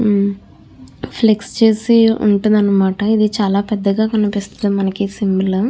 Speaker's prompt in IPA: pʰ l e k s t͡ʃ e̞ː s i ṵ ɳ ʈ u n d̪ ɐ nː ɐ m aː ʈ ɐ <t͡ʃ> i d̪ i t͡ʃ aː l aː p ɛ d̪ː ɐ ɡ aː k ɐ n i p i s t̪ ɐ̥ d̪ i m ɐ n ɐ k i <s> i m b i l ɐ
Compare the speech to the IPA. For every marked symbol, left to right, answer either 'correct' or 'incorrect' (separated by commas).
incorrect, correct